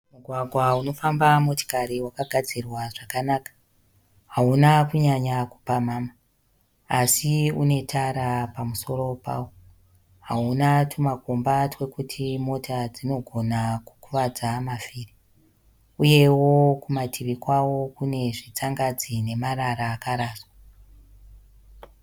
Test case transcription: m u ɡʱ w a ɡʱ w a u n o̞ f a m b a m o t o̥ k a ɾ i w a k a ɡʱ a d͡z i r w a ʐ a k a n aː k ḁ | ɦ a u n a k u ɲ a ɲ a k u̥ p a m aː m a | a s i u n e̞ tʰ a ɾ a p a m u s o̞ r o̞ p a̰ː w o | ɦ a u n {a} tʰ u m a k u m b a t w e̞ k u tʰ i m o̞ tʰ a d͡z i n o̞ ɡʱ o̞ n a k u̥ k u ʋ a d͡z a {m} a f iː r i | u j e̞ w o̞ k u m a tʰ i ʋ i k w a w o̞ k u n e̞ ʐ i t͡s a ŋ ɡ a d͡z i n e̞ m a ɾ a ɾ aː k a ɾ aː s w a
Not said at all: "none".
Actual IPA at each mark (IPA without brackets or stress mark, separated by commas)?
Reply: a, m